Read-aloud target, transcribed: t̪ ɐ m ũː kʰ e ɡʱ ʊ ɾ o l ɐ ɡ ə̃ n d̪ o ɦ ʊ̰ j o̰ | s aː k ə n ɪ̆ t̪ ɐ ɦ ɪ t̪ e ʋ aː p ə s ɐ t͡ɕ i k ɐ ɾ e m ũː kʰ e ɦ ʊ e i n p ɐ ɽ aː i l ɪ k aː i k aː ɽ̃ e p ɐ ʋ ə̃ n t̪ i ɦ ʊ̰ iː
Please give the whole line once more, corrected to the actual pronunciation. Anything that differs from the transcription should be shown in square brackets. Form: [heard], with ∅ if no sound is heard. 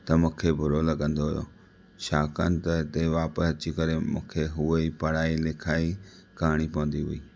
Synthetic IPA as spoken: t̪ ɐ m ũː kʰ e [bʱ] ʊ ɾ o l ɐ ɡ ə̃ n d̪ o ɦ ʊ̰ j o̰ | [ʃ] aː k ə n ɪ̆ t̪ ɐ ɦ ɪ t̪ e ʋ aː p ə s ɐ t͡ɕ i k ɐ ɾ e m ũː kʰ e ɦ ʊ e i [∅] p ɐ ɽ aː i l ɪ [kʰ] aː i k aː ɽ̃ [i] p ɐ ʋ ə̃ n [d̪] i ɦ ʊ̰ iː